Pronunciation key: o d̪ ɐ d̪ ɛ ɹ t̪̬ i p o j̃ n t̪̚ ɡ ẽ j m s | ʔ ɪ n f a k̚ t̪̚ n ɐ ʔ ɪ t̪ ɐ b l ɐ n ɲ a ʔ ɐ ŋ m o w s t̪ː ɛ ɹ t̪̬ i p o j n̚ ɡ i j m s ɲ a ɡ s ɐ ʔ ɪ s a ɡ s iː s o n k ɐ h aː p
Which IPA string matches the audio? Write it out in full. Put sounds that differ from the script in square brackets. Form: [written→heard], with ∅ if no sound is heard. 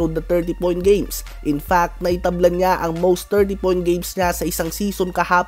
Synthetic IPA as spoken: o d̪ ɐ [d̪→t̪] ɛ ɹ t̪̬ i p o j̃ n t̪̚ ɡ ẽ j m s | ʔ ɪ n f a k̚ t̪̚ n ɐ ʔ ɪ t̪ ɐ b l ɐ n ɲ a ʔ ɐ ŋ m o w s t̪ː ɛ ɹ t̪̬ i p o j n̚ ɡ [i→e] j m s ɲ a [ɡ→∅] s ɐ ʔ ɪ s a [ɡ→ŋ] s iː s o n k ɐ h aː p